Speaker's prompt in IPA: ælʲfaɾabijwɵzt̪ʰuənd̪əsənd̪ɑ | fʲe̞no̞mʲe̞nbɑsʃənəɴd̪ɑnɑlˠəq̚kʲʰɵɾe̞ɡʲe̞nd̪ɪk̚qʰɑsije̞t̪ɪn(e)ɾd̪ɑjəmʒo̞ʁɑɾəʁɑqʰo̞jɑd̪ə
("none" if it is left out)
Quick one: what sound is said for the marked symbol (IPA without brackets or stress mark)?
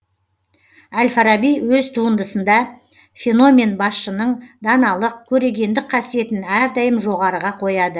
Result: æ